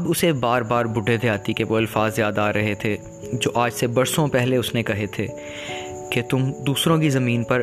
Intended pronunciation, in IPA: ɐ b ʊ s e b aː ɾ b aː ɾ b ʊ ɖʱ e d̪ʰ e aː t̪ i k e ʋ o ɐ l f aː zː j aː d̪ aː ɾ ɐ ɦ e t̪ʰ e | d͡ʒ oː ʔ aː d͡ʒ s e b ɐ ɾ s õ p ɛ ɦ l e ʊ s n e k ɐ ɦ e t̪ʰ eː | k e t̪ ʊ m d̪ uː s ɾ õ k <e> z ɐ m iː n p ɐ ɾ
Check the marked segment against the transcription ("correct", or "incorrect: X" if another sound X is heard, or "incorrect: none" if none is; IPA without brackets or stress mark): incorrect: i